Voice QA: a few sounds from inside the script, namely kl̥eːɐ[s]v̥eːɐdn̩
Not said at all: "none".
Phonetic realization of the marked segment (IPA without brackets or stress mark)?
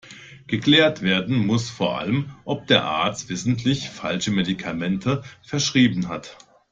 t